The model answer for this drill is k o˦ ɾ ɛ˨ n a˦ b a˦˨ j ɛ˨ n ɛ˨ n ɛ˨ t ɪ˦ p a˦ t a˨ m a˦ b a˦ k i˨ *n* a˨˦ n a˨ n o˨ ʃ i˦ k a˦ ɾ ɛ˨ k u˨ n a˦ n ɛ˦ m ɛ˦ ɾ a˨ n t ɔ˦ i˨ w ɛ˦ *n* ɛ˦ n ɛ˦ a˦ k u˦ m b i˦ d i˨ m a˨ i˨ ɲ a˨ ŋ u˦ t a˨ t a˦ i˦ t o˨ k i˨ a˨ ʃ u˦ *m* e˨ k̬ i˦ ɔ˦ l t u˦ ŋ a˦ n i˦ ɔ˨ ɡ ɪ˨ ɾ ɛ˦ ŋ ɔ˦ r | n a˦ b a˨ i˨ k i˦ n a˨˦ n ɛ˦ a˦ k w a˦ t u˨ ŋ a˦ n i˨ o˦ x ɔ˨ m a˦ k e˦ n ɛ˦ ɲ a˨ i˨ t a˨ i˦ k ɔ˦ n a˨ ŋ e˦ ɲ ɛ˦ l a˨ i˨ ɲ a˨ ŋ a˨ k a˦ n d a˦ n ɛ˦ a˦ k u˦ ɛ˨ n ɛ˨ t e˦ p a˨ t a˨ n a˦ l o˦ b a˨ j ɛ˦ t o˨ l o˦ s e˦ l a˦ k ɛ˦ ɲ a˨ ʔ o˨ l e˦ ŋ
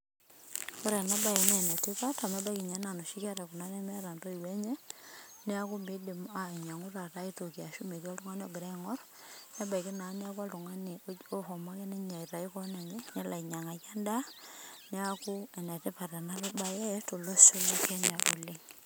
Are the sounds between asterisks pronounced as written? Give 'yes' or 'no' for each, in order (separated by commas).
no, no, yes